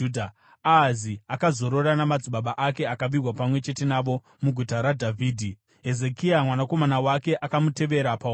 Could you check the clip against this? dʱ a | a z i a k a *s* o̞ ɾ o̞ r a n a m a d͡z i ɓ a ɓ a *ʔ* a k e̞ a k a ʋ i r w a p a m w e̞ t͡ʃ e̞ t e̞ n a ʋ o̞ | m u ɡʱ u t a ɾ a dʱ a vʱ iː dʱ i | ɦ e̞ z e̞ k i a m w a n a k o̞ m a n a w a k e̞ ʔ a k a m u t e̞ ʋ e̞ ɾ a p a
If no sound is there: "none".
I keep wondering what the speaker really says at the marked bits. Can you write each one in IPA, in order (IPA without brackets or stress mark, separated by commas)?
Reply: z, ʔ